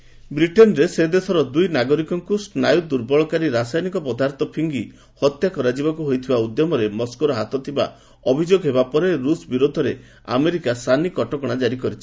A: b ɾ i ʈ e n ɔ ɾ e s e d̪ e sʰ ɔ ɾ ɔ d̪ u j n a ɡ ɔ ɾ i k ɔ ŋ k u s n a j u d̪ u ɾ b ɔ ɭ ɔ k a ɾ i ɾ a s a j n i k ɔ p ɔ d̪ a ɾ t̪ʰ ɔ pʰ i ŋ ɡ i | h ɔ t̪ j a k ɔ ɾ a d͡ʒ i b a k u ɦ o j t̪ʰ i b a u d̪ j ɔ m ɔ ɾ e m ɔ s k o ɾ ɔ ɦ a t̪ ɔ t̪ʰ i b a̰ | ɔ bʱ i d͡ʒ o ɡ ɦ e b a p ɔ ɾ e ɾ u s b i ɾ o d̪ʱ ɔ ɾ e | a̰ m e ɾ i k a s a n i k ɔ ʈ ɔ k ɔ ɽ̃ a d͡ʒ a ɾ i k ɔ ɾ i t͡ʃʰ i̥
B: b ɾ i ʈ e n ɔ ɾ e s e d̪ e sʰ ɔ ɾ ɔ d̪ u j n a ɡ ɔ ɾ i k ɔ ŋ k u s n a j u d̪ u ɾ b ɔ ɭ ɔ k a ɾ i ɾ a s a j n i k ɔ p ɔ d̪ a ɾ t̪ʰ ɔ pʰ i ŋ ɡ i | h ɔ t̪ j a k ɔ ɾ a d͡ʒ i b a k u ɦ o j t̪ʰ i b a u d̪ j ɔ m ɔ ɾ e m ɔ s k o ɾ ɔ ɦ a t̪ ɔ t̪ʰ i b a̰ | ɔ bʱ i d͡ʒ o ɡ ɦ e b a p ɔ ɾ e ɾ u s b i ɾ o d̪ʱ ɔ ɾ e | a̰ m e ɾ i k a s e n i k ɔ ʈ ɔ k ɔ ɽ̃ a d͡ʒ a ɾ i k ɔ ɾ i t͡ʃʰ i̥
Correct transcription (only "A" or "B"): A